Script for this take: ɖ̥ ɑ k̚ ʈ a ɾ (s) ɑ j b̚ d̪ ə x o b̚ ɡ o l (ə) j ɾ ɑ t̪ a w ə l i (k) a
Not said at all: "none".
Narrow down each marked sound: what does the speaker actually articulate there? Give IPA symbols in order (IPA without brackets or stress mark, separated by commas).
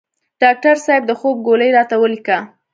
s, ə, k